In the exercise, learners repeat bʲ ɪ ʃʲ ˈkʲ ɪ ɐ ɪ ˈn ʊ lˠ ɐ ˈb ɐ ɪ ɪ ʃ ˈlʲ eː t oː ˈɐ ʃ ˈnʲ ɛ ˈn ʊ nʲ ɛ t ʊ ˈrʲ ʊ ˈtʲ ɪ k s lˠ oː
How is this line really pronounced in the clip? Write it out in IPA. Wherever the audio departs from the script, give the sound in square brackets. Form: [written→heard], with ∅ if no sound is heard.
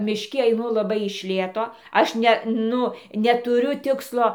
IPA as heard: [bʲ→mʲ] ɪ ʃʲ ˈkʲ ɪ ɐ ɪ ˈn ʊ lˠ ɐ ˈb ɐ ɪ ɪ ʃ ˈlʲ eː t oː ˈɐ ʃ ˈnʲ ɛ ˈn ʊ nʲ ɛ t ʊ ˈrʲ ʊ ˈtʲ ɪ k s lˠ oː